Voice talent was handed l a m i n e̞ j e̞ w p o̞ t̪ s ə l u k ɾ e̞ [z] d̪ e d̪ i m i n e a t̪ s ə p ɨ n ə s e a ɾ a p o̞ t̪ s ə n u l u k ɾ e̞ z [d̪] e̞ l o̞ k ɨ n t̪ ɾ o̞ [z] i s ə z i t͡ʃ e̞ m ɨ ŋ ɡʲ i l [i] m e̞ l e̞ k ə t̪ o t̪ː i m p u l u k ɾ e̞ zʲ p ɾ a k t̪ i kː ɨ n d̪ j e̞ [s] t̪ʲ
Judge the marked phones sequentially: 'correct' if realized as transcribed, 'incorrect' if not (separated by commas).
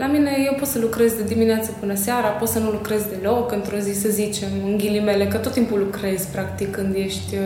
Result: correct, correct, correct, correct, incorrect